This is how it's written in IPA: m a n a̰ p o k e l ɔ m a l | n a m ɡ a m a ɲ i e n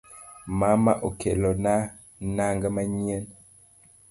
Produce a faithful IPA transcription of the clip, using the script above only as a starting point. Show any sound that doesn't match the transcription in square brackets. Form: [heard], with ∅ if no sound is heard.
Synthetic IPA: m a [m] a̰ [ʔ] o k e l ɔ [n] a [∅] | n a [ŋ] ɡ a m a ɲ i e n